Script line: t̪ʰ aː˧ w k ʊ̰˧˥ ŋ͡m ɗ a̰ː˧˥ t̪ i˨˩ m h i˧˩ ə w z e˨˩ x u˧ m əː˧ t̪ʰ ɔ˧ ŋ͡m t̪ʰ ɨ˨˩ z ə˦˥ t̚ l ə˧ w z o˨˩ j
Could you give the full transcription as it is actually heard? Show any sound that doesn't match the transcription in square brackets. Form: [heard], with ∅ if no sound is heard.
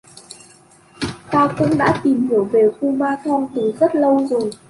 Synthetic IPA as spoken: [t̪] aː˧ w k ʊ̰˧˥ ŋ͡m ɗ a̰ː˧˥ t̪ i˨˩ m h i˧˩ ə w [v] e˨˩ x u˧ m [aː˧] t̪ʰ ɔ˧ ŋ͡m [t̪] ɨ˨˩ z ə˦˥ t̚ l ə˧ w z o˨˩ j